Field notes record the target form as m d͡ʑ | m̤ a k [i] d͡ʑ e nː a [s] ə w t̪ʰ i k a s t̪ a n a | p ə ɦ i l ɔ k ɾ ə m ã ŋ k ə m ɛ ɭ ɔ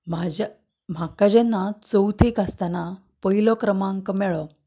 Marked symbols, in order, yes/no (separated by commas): no, no